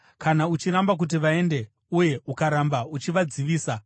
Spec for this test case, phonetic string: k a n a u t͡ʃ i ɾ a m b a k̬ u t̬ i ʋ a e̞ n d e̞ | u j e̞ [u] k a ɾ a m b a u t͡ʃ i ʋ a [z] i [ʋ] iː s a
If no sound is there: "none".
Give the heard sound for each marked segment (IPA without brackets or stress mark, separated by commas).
u, d͡z, ʋ